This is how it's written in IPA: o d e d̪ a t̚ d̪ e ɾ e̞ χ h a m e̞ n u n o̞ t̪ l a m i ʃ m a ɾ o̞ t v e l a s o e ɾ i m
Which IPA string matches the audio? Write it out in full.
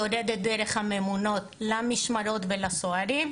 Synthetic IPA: o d e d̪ e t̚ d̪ e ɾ e̞ χ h a m e̞ m u n o̞ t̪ l a m i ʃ m a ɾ o̞ t v e l a s o a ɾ i m